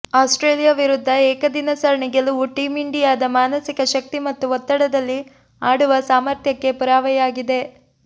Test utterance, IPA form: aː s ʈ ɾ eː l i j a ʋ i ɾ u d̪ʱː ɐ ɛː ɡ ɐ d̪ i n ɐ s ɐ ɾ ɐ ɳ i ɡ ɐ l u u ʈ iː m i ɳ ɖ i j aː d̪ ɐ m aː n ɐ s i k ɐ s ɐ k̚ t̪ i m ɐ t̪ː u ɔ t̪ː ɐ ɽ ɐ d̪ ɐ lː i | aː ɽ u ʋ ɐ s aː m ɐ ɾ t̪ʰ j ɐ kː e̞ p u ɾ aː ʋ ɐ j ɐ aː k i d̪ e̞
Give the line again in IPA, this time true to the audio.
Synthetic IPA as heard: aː s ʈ ɾ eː l i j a ʋ i ɾ u d̪ʱː ɐ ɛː k ɐ d̪ i n ɐ s ɐ ɾ ɐ ɳ i ɡ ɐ l u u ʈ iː m i ɳ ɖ i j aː d̪ ɐ m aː n ɐ s i k ɐ ʃ ɐ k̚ t̪ i m ɐ t̪ː u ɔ t̪ː ɐ ɽ ɐ d̪ ɐ lː i | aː ɽ u ʋ ɐ s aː m ɐ ɾ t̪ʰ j ɐ kː e̞ p u ɾ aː ʋ ɐ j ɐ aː ɡ i d̪ e̞